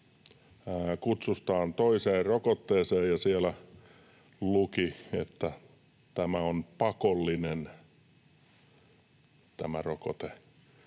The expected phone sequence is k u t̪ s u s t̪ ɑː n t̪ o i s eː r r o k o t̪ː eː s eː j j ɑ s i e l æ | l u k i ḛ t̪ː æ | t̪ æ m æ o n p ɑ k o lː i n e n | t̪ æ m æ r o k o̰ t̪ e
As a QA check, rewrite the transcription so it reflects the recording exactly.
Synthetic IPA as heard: k u t̪ s u s t̪ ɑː n t̪ o i s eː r r o k o t̪ː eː s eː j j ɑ s i e l æ | l u k i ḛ t̪ː æ | t̪ æ m æ o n p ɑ k o lː i n e n | t̪ æ m æ r o k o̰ t̪ e

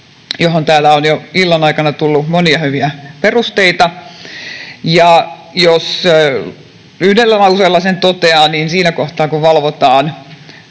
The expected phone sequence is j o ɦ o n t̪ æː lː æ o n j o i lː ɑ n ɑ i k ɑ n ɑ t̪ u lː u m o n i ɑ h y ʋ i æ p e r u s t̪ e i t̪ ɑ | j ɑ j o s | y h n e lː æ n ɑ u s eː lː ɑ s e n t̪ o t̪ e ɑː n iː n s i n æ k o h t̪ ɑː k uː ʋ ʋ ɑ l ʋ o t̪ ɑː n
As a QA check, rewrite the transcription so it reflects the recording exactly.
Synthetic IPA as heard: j o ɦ o n t̪ æː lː æ o n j o i lː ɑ n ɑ i k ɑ n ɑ t̪ u lː u m o n i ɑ h y ʋ i æ p e r u s t̪ e i t̪ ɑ | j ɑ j o s | y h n e lː æ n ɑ u s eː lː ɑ s e n t̪ o t̪ e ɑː n iː n s iː n æ k o h t̪ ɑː k u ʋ ʋ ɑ l ʋ o t̪ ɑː n

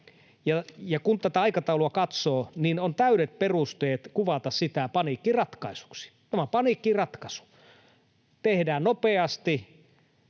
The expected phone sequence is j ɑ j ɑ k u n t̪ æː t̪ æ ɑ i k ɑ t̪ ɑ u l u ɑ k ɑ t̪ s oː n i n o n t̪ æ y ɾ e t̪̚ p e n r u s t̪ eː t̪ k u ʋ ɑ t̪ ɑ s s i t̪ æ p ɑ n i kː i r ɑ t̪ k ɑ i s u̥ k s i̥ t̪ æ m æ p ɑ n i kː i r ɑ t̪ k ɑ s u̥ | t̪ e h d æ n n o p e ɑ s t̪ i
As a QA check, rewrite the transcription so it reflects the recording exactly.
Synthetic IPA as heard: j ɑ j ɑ k u n t̪ æ t̪ æ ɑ i k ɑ t̪ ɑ u l u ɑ k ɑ t̪ s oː n i n o n t̪ æ y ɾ e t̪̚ p e r u s t̪ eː t̪ k u ʋ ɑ t̪ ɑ s s i t̪ æ p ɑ n i kː i r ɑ t̪ k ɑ i s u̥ k s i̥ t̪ æ m æ p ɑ n i kː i r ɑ t̪ k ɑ s u̥ | t̪ e h d æː n n o p e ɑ s t̪ i

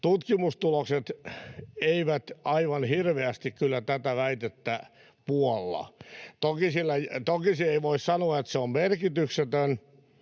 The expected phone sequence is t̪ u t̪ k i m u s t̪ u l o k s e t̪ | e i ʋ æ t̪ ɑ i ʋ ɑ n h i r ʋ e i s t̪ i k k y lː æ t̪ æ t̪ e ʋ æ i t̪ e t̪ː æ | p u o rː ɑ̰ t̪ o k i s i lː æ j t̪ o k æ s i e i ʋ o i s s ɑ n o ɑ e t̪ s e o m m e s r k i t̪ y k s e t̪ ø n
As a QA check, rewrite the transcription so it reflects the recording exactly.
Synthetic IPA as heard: t̪ u t̪ k i m u s t̪ u l o k s e t̪ | e i ʋ æ t̪ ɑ i ʋ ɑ n h i r ʋ e æ s t̪ i k k y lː æ t̪ æ t̪ æ ʋ æ i t̪ e t̪ː æ | p u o lː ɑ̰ t̪ o k i s i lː æ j t̪ o k i s i e i ʋ o i s s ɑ n o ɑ e t̪ s e o m m e r k i t̪ y k s e t̪ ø n

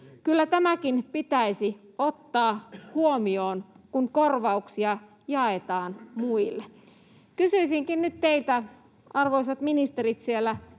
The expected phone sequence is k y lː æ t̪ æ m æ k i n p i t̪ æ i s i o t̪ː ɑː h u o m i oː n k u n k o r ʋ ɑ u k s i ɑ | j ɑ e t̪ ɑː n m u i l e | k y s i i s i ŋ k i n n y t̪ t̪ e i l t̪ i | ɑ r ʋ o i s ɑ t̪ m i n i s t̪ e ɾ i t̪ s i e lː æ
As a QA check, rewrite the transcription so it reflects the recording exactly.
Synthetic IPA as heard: k y lː æ t̪ æ m æ k i n p i t̪ æ i s i o t̪ː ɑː h u o m i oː n k u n k o r ʋ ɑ u k s i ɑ | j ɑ e t̪ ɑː n m u i lː e | k y s y i s i ŋ k i n n y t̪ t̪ e i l t̪ æ | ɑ r ʋ o i s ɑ t̪ m i n i s t̪ e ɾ i t̪ s i e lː æ

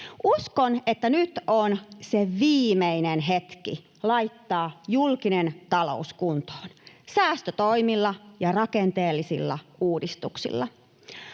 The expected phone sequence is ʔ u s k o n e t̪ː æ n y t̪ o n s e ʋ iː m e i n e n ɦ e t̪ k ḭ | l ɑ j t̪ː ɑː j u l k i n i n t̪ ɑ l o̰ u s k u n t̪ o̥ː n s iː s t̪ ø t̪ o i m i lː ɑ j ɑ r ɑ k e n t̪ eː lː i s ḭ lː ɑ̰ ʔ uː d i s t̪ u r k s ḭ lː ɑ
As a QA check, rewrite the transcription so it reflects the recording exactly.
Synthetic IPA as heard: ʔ u s k o n e t̪ː æ n y t̪ o n s e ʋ iː m e i n e n ɦ e t̪ k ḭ | l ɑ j t̪ː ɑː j u l k i n e n t̪ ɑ l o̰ u s k u n t̪ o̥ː n s æː s t̪ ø t̪ o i m i lː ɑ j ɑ r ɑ k e n t̪ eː lː i s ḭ lː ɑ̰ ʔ uː d i s t̪ u k s ḭ lː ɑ

